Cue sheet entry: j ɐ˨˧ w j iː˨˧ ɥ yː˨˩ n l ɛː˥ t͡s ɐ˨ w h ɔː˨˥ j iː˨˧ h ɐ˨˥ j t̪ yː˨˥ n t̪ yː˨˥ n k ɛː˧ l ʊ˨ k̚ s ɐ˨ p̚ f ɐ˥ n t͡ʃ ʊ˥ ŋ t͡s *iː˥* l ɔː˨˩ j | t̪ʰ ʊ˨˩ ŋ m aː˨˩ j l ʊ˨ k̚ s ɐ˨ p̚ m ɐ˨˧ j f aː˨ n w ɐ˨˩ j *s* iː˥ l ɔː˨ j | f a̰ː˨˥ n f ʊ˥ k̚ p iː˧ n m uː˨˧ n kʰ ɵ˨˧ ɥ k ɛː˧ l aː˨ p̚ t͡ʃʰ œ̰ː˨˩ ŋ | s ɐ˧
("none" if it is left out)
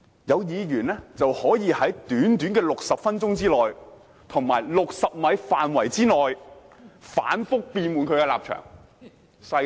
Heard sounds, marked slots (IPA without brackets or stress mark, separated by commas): iː˥, t͡s